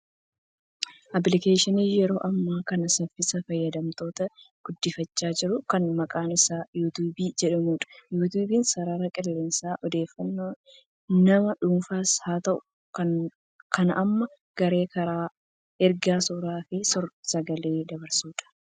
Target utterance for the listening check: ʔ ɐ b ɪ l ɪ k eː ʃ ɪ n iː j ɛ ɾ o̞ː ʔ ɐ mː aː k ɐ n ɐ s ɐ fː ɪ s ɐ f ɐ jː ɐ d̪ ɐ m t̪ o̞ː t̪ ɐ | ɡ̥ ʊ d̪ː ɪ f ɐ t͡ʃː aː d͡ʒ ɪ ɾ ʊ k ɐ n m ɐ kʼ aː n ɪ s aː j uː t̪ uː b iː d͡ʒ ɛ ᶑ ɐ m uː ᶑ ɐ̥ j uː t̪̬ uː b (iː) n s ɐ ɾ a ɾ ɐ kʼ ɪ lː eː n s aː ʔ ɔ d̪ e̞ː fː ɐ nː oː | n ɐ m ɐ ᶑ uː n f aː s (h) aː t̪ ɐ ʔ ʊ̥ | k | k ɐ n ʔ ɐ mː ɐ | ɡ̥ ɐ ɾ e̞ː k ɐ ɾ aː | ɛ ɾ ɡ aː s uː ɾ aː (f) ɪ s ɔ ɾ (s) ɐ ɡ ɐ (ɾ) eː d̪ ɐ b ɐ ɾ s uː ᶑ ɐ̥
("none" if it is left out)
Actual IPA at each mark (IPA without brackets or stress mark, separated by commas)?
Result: iː, h, f, s, l